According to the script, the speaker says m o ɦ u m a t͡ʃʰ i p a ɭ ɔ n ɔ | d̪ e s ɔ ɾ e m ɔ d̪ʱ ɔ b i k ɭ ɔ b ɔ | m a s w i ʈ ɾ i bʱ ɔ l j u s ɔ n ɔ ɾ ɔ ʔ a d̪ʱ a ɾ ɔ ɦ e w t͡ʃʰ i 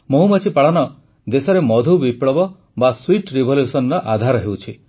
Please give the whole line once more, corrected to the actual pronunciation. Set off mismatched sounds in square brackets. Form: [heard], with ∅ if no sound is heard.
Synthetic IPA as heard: m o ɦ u m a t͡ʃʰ i p a ɭ ɔ n ɔ | d̪ e s ɔ ɾ e m ɔ d̪ʱ [u] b i [p] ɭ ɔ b ɔ | [b] a s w i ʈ ɾ i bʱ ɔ l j u s ɔ n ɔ ɾ ɔ ʔ a d̪ʱ a ɾ ɔ ɦ e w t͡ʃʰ i

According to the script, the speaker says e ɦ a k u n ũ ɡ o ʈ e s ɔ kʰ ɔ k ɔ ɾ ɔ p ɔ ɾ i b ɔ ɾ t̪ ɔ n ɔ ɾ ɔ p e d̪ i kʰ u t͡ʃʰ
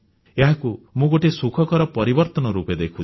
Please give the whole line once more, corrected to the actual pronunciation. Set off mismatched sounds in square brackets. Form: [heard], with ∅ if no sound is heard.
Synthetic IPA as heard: e ɦ a k u [m] ũ ɡ o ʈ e s [u] kʰ ɔ k ɔ ɾ ɔ p ɔ ɾ i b ɔ ɾ t̪ ɔ n ɔ ɾ [u] p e d̪ [e] kʰ u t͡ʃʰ

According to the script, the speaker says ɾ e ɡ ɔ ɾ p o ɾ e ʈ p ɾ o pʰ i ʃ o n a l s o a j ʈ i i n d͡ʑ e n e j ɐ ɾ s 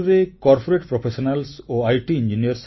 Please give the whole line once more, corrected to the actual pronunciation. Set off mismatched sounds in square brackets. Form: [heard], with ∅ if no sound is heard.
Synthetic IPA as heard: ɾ e [k] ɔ ɾ p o ɾ e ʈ p ɾ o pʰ [e] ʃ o n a l s o a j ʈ i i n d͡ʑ [i] n [i] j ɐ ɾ s

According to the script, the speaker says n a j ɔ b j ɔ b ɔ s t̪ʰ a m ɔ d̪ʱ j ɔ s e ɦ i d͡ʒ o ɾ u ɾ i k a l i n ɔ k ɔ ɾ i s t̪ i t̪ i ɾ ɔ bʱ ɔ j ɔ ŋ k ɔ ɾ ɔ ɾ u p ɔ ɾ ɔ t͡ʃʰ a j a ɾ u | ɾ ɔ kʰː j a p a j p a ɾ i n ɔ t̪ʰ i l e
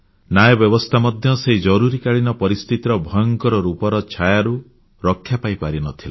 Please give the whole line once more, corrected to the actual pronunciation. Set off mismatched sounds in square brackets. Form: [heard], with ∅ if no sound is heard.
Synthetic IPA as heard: n a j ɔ b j ɔ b ɔ s t̪ʰ a m ɔ d̪ʱ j ɔ s e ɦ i d͡ʒ [ɔ] ɾ u ɾ i k a [ɭ] i n ɔ [p] ɔ ɾ i s t̪ i t̪ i ɾ ɔ bʱ ɔ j ɔ ŋ k ɔ ɾ ɔ ɾ u p ɔ ɾ ɔ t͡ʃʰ a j a ɾ u | ɾ ɔ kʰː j a p a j p a ɾ i n ɔ t̪ʰ i l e

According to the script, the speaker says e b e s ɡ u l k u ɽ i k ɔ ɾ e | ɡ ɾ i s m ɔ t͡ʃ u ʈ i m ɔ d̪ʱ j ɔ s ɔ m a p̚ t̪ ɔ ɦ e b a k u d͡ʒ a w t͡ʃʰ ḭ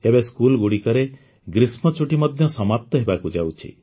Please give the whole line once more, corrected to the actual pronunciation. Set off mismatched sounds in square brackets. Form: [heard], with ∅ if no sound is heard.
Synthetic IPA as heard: e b e s [k] u l [ɡ] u ɽ i k ɔ ɾ e | ɡ ɾ i s m ɔ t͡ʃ u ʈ i m ɔ d̪ʱ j ɔ s ɔ m a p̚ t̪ ɔ ɦ e b a k u d͡ʒ a w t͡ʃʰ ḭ

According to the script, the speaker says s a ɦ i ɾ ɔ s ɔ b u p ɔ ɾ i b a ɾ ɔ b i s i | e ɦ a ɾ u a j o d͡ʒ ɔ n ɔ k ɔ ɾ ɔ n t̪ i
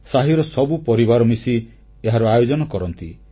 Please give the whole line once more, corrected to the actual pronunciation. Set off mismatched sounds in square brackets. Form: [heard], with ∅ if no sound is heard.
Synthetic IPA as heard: s a ɦ i ɾ ɔ s ɔ b u p ɔ ɾ i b a ɾ ɔ [m] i s i | e ɦ a ɾ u a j o d͡ʒ ɔ n ɔ k ɔ ɾ ɔ n t̪ i

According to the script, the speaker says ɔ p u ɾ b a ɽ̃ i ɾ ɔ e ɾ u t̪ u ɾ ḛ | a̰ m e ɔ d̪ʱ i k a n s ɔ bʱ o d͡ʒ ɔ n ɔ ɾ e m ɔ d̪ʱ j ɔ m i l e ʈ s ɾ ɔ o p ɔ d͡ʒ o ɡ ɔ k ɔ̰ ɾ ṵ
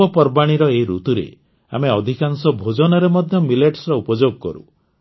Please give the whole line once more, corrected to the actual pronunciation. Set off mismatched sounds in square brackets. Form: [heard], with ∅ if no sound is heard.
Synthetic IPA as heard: ɔ p [ɔ] ɾ b a ɽ̃ i ɾ ɔ e ɾ u t̪ u ɾ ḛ | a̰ m e ɔ d̪ʱ i k a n s ɔ bʱ o d͡ʒ ɔ n ɔ ɾ e m ɔ d̪ʱ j ɔ m i l e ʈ s ɾ ɔ [u] p ɔ d͡ʒ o ɡ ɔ k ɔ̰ ɾ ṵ

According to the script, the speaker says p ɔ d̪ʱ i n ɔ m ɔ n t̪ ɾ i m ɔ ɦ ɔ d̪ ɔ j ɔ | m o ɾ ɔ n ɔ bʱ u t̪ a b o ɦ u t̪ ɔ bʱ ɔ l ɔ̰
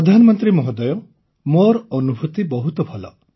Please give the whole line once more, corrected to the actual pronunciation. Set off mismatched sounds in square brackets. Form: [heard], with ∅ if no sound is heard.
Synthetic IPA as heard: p ɔ d̪ʱ [a] n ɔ m ɔ n t̪ ɾ i m ɔ ɦ ɔ d̪ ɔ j ɔ | m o ɾ ɔ n [u] bʱ u t̪ [i] b [ɔ] ɦ u t̪ ɔ bʱ ɔ l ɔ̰

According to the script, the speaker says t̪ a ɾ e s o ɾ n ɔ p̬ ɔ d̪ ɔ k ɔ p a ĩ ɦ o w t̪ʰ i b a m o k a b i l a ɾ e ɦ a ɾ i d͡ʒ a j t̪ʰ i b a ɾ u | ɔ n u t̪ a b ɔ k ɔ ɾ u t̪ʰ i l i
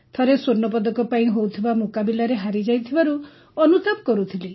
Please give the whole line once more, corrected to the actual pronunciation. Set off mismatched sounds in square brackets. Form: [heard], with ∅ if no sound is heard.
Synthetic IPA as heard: [t̪ʰ] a ɾ e s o ɾ n ɔ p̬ ɔ d̪ ɔ k ɔ p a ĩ ɦ o w t̪ʰ i b a m o k a b i l a ɾ e ɦ a ɾ i d͡ʒ a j t̪ʰ i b a ɾ u | ɔ n u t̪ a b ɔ k ɔ ɾ u t̪ʰ i l i

